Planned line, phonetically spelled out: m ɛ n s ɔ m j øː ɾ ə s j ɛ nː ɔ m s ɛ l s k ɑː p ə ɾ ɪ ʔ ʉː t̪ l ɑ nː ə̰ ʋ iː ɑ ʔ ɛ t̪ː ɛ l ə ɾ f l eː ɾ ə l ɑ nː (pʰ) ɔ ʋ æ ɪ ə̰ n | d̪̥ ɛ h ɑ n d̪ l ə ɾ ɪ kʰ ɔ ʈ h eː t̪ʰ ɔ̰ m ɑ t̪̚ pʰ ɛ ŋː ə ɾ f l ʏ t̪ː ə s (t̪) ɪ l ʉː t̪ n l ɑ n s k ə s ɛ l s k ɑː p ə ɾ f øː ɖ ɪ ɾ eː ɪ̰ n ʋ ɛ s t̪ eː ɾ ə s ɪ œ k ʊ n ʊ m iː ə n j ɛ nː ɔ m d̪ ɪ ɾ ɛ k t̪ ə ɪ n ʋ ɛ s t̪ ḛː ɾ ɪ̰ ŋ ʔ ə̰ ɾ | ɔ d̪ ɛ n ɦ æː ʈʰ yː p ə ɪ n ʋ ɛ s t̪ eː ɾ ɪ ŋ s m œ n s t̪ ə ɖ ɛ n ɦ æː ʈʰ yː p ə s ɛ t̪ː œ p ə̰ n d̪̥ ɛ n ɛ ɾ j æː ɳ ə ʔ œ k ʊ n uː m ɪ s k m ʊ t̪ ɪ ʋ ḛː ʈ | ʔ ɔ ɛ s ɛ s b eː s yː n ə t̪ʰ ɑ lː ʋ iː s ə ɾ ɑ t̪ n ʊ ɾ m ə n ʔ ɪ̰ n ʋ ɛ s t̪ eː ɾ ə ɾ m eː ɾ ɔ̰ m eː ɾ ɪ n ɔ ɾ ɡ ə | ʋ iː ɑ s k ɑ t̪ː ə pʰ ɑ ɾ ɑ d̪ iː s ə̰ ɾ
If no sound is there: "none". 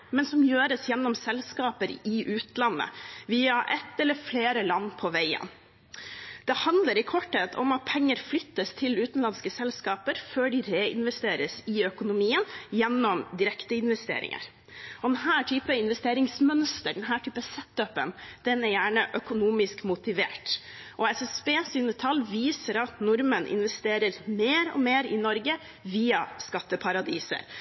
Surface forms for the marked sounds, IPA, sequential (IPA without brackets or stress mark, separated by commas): pʰ, t̪ʰ